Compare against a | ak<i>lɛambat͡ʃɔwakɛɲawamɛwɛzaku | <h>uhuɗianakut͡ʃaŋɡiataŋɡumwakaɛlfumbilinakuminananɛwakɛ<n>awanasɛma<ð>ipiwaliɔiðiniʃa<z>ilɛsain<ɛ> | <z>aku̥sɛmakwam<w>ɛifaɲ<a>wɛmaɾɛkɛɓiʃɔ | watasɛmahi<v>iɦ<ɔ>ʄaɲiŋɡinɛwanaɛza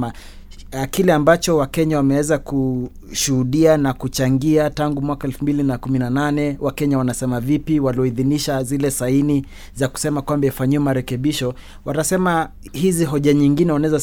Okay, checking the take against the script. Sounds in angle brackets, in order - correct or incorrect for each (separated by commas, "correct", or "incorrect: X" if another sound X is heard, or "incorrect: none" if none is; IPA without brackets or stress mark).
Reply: correct, incorrect: ʃ, incorrect: ɲ, incorrect: v, correct, incorrect: i, correct, incorrect: b, incorrect: i, incorrect: z, correct